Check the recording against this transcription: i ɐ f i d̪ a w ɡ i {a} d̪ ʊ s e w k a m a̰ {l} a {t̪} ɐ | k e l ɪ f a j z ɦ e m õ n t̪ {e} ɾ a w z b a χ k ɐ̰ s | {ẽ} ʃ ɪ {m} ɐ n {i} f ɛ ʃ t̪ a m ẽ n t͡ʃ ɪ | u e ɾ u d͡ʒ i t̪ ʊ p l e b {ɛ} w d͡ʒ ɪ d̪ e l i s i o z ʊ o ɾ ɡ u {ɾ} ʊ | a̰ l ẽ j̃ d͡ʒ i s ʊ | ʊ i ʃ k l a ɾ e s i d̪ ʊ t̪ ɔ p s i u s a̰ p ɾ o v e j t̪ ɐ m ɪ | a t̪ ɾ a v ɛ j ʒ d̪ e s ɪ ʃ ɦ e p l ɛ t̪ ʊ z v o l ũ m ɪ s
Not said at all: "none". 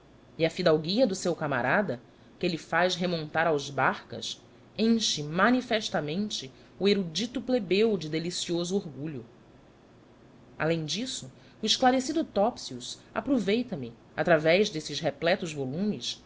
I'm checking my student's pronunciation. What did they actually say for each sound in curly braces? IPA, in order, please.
ɐ, ɾ, d̪, a, ẽ, m, i, e, ʎ

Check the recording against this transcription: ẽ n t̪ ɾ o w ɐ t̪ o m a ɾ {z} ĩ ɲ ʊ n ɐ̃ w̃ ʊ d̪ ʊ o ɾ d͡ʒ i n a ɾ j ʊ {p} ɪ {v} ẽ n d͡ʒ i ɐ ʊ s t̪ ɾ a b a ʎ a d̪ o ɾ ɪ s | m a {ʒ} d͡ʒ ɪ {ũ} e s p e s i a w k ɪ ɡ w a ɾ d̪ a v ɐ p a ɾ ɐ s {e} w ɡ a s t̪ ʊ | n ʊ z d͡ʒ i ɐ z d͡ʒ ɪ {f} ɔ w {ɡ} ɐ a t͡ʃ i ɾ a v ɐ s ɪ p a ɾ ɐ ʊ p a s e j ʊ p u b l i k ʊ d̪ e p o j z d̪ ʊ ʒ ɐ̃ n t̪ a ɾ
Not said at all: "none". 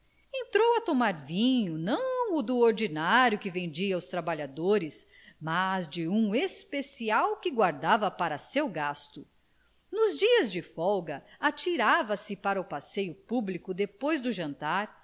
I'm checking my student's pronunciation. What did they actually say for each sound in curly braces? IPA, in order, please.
v, k, v, z, ũ, e, f, ɡ

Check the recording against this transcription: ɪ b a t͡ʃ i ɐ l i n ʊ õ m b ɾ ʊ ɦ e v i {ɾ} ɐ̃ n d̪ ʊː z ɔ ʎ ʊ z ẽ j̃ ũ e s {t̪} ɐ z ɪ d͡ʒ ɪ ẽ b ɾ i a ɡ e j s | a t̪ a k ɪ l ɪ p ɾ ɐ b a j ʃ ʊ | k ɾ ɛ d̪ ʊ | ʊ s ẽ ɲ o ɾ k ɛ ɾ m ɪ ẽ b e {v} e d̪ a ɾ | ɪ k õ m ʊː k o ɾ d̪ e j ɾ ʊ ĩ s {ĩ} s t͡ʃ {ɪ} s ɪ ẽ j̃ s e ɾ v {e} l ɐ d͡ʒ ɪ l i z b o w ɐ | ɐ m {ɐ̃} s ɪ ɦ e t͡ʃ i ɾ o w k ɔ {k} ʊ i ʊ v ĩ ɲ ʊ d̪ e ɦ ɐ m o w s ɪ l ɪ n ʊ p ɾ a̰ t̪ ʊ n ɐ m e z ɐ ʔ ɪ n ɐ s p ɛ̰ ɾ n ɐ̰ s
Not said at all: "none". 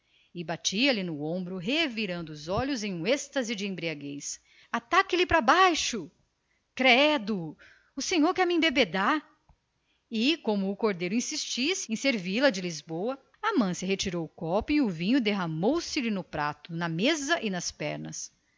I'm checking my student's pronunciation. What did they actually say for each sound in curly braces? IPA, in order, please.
ɾ, t̪, b, i, i, i, ɐ̃, p

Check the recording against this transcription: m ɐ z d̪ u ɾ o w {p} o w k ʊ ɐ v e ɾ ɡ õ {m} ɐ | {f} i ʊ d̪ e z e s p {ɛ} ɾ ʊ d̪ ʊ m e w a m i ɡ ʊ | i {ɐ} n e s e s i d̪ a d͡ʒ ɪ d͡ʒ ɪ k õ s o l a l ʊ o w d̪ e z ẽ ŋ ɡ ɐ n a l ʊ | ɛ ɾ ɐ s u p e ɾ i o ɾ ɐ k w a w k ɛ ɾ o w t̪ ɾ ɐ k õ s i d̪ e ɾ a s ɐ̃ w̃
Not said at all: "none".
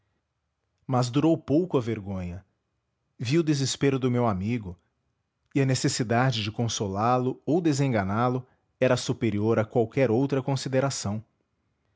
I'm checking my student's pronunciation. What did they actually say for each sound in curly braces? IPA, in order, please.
p, ɲ, v, e, ɐ

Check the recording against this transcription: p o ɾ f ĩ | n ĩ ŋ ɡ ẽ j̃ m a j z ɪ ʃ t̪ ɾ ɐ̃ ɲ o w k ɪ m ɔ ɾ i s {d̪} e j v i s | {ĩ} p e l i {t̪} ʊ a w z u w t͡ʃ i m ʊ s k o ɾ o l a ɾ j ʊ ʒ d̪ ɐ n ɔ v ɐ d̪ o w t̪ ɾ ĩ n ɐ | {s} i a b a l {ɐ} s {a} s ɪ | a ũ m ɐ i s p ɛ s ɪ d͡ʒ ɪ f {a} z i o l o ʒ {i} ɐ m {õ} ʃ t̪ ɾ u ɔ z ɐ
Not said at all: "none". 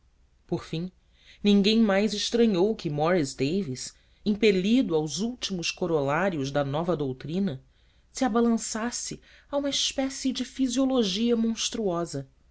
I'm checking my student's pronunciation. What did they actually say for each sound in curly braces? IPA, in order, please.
d̪, ĩ, d̪, s, ɐ̃, a, i, i, õ

